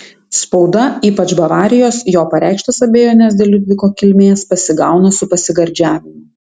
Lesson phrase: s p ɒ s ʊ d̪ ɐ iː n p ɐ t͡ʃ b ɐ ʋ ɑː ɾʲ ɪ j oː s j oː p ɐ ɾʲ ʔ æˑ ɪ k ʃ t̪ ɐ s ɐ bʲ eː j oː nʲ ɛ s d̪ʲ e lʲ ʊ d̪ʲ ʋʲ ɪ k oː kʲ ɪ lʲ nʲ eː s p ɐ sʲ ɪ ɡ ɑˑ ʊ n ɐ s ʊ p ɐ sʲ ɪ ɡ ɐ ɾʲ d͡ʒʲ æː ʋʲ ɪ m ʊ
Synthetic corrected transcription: s p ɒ ʊ d̪ ɐ iː p ɐ t͡ʃ b ɐ ʋ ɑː ɾʲ ɪ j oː s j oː p ɐ ɾʲ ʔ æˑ ɪ k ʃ t̪ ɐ s ɐ bʲ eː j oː nʲ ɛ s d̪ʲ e lʲ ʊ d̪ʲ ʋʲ ɪ k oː kʲ ɪ lʲ mʲ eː s p ɐ sʲ ɪ ɡ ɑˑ ʊ n ɐ s ʊ p ɐ sʲ ɪ ɡ ɐ ɾʲ d͡ʒʲ æː ʋʲ ɪ m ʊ